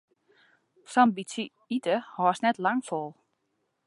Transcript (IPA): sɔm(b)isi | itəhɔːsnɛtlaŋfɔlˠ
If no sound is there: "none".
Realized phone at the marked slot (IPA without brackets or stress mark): b